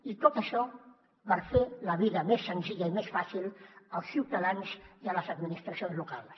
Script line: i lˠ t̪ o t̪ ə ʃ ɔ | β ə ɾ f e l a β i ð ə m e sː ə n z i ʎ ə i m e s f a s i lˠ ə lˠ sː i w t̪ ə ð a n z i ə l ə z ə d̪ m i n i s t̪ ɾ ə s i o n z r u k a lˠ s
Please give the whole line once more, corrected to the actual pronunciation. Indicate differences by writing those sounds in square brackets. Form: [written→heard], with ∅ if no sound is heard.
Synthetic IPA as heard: i [lˠ→∅] t̪ o t̪ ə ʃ ɔ | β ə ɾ f e l [a→ə] β i ð ə m e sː ə n z i ʎ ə i m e s f a s i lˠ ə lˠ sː i w t̪ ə ð a n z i ə l ə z ə d̪ m i n i s t̪ ɾ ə s i o n z [r→l] u k a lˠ s